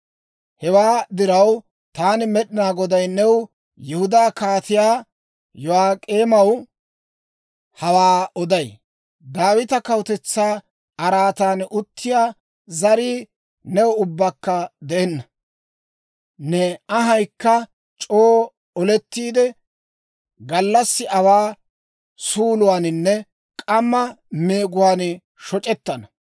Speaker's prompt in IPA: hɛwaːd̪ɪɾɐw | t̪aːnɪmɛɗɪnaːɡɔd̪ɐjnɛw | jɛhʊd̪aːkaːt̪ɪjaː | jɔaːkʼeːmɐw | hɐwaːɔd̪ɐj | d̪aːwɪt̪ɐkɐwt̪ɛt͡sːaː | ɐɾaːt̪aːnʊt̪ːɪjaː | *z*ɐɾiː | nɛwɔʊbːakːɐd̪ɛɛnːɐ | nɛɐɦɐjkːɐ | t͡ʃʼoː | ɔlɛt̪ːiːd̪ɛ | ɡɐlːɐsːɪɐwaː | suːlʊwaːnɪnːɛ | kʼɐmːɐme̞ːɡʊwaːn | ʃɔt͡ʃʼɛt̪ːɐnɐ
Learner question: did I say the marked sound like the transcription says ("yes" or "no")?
yes